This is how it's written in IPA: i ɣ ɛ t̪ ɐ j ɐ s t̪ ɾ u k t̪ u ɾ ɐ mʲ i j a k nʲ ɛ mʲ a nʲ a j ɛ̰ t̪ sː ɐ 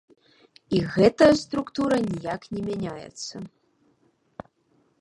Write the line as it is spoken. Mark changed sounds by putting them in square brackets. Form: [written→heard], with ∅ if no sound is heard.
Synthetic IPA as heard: i ɣ ɛ t̪ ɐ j ɐ s t̪ ɾ u k t̪ u ɾ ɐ [mʲ→nʲ] i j a k nʲ ɛ mʲ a nʲ a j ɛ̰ t̪ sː ɐ